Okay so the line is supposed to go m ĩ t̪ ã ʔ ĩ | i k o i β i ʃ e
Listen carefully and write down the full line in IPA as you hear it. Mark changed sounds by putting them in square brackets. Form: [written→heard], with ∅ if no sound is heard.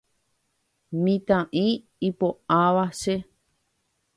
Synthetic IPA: m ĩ t̪ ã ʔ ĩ | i [k→p] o [i→a] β [i→a] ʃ e